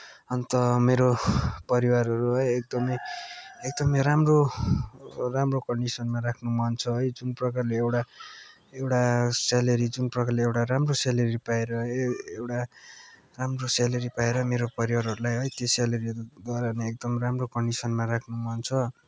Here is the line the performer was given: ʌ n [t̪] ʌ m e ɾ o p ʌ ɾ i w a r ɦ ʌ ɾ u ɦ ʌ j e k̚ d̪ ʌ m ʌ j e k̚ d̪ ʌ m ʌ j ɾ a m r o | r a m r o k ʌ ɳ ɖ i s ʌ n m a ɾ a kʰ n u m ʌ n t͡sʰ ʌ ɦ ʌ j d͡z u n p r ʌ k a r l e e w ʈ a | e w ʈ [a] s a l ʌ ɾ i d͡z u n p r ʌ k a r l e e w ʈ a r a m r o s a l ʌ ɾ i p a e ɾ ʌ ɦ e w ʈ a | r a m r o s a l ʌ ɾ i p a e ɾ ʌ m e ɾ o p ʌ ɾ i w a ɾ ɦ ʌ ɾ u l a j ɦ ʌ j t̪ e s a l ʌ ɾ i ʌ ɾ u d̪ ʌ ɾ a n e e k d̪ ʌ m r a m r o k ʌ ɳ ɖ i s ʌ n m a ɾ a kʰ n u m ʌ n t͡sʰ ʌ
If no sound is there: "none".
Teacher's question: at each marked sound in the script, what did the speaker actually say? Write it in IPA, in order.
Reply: t̪, a

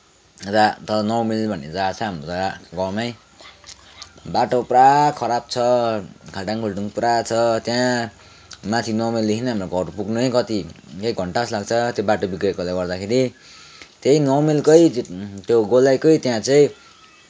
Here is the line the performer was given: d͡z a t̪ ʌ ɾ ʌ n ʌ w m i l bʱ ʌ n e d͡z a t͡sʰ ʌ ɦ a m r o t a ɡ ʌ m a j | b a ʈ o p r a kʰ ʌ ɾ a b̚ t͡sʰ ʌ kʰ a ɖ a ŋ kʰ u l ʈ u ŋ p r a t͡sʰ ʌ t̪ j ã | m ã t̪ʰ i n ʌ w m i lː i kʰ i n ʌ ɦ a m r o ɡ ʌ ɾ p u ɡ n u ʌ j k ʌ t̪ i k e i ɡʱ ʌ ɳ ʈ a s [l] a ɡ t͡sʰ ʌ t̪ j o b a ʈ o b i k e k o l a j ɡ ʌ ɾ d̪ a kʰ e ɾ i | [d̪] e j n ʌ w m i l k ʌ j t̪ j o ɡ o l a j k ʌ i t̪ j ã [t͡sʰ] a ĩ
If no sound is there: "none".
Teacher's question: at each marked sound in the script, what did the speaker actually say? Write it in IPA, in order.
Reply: l, t̪, t͡s

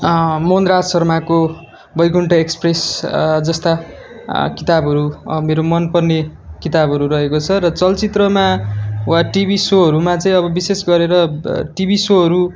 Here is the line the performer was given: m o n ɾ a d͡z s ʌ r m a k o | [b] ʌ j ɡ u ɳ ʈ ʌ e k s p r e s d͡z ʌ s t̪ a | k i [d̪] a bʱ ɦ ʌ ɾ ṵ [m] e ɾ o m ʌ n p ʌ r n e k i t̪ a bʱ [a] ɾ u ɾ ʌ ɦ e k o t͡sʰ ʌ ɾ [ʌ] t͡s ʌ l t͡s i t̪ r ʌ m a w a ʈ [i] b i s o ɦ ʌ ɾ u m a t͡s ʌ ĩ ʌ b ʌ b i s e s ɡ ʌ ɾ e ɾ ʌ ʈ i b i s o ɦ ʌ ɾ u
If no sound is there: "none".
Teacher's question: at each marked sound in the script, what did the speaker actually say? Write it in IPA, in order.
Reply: b, t̪, m, ʌ, ʌ, i

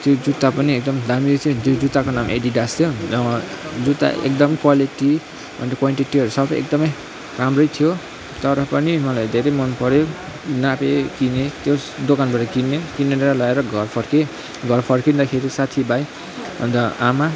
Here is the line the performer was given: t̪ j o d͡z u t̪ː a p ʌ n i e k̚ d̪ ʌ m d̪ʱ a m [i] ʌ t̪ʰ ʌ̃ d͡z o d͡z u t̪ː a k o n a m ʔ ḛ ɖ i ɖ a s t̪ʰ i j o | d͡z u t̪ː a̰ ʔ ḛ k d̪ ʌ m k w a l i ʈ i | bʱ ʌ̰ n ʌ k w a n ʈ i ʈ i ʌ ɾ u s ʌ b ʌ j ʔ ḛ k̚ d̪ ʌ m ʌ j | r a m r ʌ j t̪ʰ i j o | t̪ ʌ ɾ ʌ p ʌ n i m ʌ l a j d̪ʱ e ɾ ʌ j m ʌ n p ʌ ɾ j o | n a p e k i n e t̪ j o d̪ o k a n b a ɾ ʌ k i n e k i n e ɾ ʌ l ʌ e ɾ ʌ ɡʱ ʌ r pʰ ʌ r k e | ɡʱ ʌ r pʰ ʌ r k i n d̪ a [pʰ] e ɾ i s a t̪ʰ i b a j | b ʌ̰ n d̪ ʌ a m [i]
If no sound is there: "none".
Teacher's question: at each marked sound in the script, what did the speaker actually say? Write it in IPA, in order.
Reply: i, kʰ, a

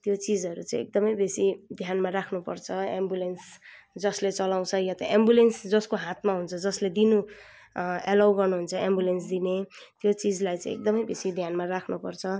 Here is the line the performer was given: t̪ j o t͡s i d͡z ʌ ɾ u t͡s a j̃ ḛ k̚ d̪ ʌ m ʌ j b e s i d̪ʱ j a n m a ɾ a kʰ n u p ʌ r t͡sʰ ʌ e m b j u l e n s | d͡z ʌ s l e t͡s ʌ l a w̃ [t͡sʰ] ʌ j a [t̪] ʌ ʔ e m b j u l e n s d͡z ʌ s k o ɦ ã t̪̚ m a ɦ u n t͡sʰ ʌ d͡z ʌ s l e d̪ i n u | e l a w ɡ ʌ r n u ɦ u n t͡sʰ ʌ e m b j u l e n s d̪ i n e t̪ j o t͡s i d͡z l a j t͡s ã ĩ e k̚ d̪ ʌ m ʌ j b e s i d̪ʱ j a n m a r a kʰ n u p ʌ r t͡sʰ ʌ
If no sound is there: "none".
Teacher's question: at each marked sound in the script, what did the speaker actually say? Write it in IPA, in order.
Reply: t͡sʰ, t̪

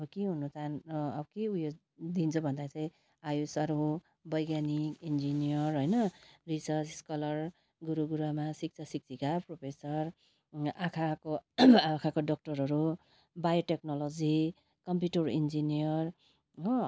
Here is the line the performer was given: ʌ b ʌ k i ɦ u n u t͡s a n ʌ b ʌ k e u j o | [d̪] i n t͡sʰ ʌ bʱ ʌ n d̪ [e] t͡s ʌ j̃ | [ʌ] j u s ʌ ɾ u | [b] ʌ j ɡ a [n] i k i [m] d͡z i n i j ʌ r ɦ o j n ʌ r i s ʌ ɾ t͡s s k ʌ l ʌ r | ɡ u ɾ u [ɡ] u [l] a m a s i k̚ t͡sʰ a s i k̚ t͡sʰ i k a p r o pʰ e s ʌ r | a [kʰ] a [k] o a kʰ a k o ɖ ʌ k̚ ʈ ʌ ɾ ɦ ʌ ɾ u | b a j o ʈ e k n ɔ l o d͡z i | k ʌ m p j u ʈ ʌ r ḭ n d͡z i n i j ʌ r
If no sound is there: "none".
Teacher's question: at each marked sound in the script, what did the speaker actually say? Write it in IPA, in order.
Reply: d̪, a, a, b, n, n, ɡ, ɾ, kʰ, k

